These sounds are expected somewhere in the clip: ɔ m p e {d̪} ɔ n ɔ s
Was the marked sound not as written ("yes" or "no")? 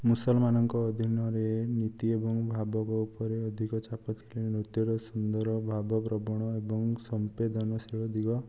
no